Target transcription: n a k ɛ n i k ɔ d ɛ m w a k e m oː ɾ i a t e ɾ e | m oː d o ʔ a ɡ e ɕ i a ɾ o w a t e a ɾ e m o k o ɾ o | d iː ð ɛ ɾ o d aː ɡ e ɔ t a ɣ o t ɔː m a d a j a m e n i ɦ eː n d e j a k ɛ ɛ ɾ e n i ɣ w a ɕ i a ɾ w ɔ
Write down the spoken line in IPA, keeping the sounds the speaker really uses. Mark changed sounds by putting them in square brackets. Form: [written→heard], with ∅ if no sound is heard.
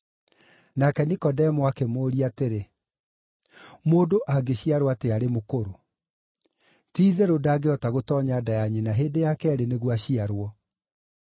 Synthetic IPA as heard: n a k ɛ n i k ɔ d ɛ m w a k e m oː ɾ i a t e ɾ e | m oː d o ʔ a ɡ e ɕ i a ɾ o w a t e a ɾ e m o k o ɾ o | [d→t] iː ð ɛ ɾ o d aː ɡ e ɔ t a ɣ o t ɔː [m→ɲ] a d a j a [m→ɲ] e n [i→a] ɦ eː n d e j a k ɛ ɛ ɾ e n [i→e] ɣ w a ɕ i a ɾ w ɔ